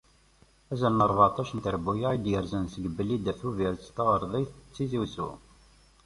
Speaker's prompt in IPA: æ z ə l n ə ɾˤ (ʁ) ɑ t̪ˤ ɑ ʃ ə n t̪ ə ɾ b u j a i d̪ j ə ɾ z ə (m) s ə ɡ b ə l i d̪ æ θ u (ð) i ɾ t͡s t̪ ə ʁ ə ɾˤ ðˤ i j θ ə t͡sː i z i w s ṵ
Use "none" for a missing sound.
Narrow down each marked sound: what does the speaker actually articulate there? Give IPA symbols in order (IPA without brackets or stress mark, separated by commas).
v, n, v